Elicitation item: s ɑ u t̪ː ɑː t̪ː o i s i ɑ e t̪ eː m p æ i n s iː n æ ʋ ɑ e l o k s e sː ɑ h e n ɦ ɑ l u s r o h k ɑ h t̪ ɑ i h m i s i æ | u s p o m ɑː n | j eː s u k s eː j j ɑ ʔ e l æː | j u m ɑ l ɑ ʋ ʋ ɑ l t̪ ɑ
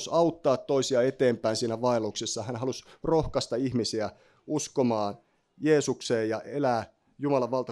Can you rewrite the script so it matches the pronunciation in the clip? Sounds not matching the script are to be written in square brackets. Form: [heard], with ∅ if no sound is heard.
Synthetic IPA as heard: s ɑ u t̪ː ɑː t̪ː o i s i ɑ e t̪ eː m p æ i n s iː n æ ʋ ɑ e l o k s e sː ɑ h [æ] n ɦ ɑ l u s r o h k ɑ [s] t̪ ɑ i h m i s i æ | u s [k] o m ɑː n | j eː s u k s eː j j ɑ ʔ e l æː | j u m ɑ l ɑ ʋ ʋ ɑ l t̪ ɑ